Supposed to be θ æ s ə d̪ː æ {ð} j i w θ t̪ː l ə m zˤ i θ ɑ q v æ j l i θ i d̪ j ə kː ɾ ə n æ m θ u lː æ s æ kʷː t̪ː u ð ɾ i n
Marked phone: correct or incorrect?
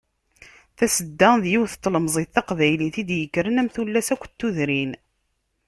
correct